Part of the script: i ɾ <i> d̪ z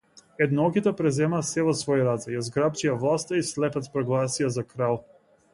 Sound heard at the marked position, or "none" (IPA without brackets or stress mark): a